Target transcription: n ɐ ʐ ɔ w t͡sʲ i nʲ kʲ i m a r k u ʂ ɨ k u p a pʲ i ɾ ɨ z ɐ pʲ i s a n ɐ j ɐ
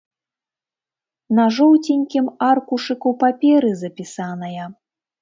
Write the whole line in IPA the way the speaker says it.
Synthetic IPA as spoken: n ɐ ʐ ɔ w t͡sʲ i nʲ kʲ i m a r k u ʂ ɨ k u p a pʲ ɛ ɾ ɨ z ɐ pʲ i s a n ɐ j ɐ